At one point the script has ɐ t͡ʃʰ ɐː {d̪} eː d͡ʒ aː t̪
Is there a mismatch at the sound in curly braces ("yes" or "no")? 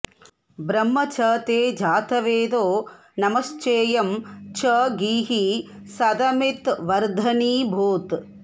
yes